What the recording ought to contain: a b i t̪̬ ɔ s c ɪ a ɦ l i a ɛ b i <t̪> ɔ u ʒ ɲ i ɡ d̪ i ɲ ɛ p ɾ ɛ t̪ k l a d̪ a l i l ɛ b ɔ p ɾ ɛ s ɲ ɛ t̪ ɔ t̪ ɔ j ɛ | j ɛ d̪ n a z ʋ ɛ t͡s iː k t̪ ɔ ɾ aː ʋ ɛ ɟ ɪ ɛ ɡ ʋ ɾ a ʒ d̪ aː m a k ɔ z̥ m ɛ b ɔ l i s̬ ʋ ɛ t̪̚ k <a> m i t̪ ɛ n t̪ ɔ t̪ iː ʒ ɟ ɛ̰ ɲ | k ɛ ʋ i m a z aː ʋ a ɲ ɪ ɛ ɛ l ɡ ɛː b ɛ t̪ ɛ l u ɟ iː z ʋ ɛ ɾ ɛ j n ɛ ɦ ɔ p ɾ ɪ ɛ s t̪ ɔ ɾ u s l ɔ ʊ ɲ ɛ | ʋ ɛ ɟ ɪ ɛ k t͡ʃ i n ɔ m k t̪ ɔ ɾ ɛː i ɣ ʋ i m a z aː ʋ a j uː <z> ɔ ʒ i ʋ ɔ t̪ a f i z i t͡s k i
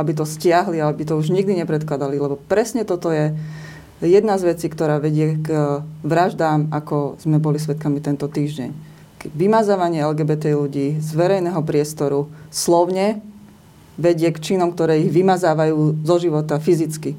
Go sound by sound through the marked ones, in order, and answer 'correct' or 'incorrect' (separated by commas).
correct, correct, correct